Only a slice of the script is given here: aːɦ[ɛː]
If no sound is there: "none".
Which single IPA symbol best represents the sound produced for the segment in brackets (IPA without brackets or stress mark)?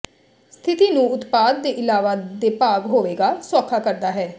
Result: ɛː